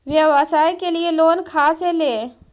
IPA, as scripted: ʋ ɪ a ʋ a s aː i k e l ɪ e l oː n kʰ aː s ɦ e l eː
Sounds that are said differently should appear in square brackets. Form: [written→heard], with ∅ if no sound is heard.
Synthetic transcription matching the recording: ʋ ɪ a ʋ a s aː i k e l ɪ e l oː n kʰ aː s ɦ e l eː